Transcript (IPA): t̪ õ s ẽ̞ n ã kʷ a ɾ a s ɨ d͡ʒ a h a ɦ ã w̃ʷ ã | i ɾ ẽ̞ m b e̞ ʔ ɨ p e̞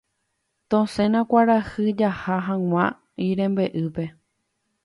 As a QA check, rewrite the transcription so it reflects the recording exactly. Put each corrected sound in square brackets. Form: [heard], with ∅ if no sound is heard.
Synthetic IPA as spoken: t̪ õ s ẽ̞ n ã kʷ a ɾ a [h] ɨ d͡ʒ a h a ɦ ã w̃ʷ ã | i ɾ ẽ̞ m b e̞ ʔ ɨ p e̞